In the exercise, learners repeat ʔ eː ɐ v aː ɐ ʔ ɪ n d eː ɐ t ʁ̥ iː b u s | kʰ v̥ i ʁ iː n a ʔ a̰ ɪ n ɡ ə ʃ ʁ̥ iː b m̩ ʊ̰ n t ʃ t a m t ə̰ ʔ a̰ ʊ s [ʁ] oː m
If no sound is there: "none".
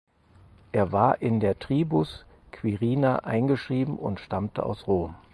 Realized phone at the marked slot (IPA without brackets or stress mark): ʁ